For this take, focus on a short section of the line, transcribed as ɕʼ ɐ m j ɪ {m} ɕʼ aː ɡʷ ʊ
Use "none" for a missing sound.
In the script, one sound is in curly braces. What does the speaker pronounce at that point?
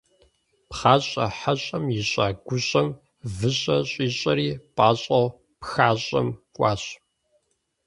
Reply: none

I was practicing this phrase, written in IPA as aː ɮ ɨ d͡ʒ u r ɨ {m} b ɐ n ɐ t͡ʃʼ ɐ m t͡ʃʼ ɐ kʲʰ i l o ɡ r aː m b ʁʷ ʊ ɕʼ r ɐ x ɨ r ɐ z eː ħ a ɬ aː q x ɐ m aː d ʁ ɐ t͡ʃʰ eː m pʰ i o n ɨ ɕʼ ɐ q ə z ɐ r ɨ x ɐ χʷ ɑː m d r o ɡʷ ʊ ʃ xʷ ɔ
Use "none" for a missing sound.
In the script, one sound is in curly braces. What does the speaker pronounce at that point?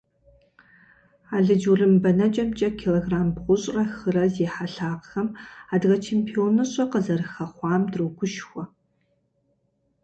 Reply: m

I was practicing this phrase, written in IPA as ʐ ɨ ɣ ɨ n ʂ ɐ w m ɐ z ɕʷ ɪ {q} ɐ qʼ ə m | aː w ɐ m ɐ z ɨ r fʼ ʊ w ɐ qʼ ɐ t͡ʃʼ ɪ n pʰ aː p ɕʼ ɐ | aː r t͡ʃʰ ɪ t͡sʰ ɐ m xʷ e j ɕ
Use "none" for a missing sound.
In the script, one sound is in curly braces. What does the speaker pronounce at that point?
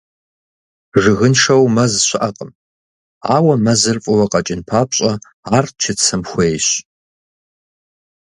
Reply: ʔ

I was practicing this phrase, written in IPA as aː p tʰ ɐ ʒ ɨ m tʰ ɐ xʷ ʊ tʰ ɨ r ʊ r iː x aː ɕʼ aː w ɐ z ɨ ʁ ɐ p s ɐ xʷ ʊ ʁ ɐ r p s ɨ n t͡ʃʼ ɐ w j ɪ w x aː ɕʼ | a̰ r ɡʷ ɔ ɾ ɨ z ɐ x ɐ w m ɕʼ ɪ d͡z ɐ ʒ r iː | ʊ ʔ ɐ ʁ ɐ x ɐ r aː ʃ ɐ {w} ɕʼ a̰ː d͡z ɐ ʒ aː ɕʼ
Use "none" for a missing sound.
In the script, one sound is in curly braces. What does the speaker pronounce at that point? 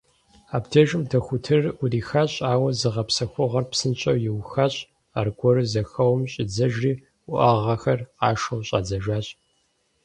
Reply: w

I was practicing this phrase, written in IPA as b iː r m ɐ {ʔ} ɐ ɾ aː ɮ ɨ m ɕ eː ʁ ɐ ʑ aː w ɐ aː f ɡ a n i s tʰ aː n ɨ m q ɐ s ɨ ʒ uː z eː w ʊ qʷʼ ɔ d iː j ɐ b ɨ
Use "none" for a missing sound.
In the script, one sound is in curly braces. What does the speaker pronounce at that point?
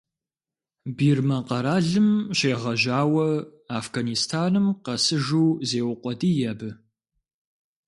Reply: q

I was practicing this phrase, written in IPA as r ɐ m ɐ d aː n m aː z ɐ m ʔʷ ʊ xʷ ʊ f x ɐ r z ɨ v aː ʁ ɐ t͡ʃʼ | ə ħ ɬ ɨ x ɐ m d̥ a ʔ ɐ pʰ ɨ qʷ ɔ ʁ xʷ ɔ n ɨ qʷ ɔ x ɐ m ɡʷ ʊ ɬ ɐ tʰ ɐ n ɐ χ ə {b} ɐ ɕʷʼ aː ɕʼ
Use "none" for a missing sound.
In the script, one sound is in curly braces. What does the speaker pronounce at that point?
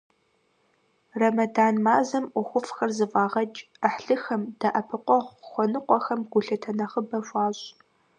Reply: b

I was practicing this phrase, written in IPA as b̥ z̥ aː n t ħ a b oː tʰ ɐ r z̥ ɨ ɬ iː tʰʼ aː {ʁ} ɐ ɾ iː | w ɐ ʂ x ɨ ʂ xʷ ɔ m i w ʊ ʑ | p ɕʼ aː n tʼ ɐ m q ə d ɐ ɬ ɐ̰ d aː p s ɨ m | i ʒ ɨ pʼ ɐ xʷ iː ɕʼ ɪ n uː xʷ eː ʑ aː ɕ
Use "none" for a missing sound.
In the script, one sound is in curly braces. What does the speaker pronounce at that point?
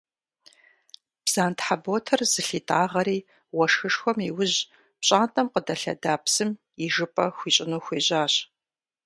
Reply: ʁ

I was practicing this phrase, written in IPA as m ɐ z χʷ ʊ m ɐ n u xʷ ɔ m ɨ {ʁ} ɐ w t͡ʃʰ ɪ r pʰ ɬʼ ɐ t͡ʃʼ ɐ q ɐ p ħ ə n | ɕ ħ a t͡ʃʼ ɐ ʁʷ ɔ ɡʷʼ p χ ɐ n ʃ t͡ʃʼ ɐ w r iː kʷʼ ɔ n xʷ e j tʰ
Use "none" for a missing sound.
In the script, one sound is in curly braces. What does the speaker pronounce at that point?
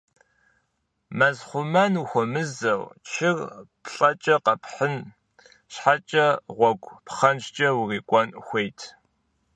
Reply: z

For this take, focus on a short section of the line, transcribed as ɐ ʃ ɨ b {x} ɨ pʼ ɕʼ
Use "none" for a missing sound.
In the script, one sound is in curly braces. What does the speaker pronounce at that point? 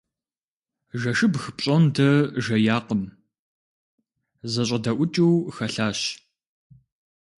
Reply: x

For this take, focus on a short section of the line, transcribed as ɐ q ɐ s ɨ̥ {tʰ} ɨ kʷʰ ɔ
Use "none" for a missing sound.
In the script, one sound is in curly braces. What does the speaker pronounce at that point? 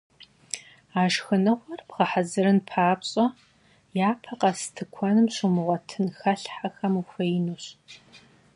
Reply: tʰ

